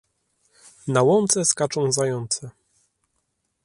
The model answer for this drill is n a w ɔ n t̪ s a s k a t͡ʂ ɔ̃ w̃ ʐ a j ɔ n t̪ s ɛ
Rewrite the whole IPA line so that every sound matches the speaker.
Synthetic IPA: n a w ɔ n t̪ s ɛ s k a t͡ʂ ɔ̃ w̃ z a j ɔ n t̪ s ɛ

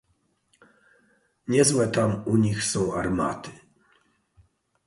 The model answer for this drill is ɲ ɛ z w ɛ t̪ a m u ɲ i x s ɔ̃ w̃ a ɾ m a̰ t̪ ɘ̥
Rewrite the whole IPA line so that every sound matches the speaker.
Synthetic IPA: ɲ ɛ z w ɛ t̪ a m u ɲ i x s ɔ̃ w̃ a ɾ m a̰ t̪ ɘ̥

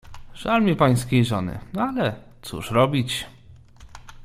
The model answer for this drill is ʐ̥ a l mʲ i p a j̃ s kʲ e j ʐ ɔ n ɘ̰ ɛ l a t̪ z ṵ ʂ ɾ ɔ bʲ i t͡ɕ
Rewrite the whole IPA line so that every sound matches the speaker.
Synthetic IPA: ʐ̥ a l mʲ i p a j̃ s kʲ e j ʐ ɔ n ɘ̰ a l ɛ t̪ s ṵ ʂ ɾ ɔ bʲ i t͡ɕ

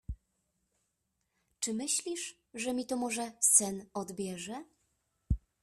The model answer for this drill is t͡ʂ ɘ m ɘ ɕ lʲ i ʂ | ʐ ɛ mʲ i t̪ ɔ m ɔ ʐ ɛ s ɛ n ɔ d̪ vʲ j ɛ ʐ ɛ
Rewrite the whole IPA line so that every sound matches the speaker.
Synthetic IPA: t͡ʂ ɘ m ɘ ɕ lʲ i ʂ | ʐ ɛ mʲ i t̪ ɔ m ɔ ʐ ɛ s ɛ n ɔ d̪ bʲ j ɛ ʐ ɛ

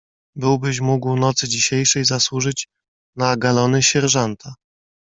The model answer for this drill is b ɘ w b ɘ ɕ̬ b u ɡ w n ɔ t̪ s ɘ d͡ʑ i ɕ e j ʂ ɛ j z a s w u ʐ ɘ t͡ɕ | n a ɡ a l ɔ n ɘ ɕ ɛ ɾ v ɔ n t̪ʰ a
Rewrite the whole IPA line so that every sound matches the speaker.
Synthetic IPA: b ɘ w b ɘ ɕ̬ m u ɡ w n ɔ t̪ s ɘ d͡ʑ i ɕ e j ʂ ɛ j z a s w u ʐ ɘ t͡ɕ | n a ɡ a l ɔ n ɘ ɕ ɛ ɾ ʐ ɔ n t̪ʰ a

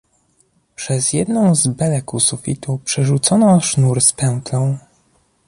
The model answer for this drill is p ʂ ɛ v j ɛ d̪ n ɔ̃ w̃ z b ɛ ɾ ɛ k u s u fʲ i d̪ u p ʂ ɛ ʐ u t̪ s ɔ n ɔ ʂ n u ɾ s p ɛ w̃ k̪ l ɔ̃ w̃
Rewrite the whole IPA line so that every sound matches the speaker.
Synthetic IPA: p ʂ ɛ z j ɛ d̪ n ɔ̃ w̃ z b ɛ l ɛ k u s u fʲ i t̪ u p ʂ ɛ ʐ u t̪ s ɔ n ɔ ʂ n u ɾ s p ɛ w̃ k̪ l ɔ̃ w̃

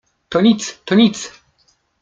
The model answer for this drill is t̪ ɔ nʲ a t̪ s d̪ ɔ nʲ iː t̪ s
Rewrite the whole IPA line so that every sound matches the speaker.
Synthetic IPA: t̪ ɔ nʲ i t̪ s t̪ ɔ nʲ i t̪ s

